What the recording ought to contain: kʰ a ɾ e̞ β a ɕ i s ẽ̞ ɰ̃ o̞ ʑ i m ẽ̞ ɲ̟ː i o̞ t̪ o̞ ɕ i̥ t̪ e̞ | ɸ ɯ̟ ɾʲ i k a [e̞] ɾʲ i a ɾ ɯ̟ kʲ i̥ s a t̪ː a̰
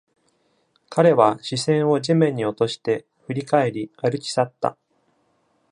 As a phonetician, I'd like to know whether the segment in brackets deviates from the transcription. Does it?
no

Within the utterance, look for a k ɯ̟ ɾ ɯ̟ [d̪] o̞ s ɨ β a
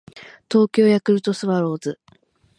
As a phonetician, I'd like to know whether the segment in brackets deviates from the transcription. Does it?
yes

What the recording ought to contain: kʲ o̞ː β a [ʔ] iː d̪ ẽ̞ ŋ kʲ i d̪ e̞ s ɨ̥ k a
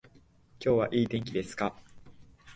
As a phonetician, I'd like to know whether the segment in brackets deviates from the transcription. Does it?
no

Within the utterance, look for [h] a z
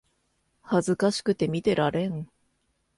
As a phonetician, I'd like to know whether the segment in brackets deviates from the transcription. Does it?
no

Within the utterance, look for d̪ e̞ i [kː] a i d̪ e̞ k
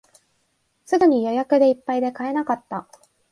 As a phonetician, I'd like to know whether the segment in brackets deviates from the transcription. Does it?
yes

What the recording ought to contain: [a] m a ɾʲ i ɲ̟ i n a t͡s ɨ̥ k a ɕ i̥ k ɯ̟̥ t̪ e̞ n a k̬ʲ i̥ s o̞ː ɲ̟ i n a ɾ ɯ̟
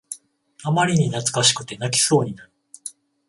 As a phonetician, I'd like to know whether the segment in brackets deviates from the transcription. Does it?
no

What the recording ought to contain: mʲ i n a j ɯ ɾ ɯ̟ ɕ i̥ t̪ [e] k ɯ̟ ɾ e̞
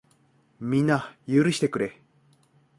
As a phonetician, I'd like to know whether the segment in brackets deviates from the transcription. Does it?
no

